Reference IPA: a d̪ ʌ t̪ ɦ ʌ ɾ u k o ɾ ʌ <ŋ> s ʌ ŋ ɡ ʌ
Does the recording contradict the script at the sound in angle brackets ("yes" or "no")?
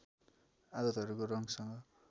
no